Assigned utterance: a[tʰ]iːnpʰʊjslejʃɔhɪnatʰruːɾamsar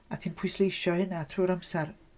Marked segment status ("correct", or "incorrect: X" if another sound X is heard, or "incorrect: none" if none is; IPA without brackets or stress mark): correct